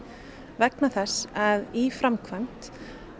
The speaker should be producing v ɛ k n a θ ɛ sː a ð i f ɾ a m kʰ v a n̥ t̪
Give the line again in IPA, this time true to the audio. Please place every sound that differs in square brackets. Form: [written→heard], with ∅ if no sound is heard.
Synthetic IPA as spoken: v ɛ k n a θ ɛ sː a ð i f ɾ a m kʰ v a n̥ t̪